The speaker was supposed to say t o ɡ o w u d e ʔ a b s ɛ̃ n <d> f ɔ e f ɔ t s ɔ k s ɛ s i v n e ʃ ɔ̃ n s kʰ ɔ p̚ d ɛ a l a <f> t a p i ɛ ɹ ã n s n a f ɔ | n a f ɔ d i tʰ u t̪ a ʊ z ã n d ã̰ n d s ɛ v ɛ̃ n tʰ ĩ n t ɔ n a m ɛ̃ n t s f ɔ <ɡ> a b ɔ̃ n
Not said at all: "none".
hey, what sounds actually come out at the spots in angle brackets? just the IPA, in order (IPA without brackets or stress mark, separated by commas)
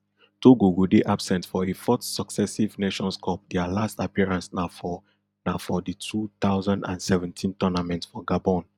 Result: t, s, ɡ